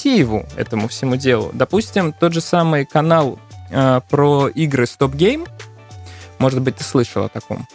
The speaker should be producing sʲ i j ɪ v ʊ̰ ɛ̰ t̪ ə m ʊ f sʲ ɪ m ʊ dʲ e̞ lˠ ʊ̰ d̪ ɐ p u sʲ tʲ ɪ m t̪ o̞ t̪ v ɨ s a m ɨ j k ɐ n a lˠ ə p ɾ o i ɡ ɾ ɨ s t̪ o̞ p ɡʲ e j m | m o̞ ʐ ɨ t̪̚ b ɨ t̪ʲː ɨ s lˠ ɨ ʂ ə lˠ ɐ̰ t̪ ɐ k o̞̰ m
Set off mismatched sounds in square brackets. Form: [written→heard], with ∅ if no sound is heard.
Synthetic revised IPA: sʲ i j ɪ v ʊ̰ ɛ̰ t̪ ə m ʊ f sʲ ɪ m [ʊ→u] dʲ e̞ lˠ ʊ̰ d̪ ɐ p u sʲ tʲ ɪ m t̪ o̞ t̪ [v→ʐ] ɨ s a m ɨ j k ɐ n a lˠ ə p ɾ o i ɡ ɾ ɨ s t̪ o̞ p ɡʲ e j m | m o̞ ʐ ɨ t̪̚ b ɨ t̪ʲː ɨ s lˠ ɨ ʂ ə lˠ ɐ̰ t̪ ɐ k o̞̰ m